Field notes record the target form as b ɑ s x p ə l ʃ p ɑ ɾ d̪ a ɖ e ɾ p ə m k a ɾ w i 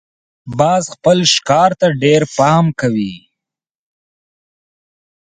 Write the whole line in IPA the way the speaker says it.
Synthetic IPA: b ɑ z x p ə l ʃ k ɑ ɾ t̪ a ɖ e ɾ p ɑ m k a w i